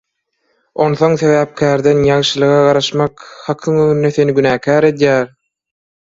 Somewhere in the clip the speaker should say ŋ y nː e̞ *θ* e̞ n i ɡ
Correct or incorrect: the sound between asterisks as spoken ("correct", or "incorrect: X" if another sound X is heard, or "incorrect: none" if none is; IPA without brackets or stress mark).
correct